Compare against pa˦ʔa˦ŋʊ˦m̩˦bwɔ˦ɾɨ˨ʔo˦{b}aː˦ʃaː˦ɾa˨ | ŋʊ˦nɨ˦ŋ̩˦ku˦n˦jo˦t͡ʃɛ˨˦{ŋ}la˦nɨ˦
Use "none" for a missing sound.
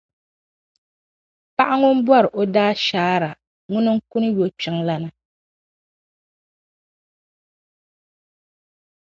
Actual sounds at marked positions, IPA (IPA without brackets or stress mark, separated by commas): d, ŋ